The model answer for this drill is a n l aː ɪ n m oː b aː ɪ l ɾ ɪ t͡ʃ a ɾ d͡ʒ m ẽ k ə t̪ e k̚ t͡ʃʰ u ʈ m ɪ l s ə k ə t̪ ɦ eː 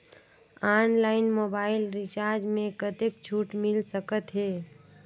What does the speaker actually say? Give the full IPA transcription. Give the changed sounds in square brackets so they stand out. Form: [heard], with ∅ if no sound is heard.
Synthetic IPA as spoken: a n l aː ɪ n m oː b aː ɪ l ɾ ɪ t͡ʃ a ɾ d͡ʒ m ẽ k ə t̪ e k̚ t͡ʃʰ u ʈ m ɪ l s ə k ə t̪ ɦ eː